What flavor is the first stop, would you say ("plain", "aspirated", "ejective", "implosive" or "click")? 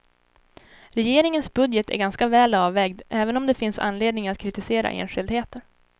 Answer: plain